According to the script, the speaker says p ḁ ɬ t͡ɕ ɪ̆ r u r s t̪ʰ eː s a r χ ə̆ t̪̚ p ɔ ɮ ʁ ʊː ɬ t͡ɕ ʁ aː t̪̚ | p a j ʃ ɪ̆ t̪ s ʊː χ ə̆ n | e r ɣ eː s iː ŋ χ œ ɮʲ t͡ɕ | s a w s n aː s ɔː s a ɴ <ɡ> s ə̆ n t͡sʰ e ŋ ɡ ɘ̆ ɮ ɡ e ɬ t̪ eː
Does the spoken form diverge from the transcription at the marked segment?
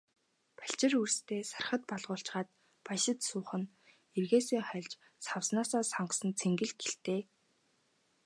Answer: yes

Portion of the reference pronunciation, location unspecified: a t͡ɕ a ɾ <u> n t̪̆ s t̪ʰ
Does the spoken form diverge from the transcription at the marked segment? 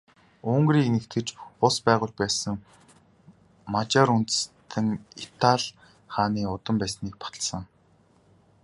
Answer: no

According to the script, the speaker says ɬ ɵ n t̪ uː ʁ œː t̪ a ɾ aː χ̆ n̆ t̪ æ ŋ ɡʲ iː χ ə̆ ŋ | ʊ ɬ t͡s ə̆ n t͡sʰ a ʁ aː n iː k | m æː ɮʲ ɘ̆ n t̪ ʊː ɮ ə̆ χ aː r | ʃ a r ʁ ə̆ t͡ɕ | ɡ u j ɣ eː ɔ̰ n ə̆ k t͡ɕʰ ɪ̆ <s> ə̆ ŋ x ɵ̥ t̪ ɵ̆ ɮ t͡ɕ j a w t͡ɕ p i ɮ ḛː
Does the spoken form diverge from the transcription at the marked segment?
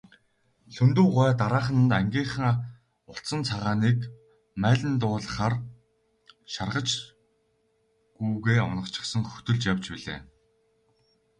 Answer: no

